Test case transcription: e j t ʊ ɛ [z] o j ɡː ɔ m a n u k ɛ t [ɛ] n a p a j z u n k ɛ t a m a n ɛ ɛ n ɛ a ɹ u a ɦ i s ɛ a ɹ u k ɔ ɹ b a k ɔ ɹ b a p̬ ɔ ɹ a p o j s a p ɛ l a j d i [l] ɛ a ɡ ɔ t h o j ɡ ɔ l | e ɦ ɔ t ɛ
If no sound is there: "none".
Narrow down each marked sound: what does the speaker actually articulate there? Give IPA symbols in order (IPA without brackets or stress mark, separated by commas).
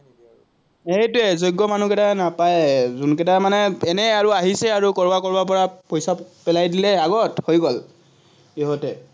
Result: z, a, l